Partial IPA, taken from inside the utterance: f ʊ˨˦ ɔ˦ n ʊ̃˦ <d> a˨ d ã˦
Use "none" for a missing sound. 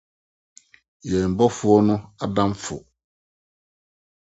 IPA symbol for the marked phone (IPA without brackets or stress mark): none